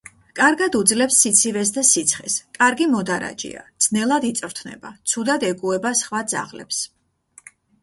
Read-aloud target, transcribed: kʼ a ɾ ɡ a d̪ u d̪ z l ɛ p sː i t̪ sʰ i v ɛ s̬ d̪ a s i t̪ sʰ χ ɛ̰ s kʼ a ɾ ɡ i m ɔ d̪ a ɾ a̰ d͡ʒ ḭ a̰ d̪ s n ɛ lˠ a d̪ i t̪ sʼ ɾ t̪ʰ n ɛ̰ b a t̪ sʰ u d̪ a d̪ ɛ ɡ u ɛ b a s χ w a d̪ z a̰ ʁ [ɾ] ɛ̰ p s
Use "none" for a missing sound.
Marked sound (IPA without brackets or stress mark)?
l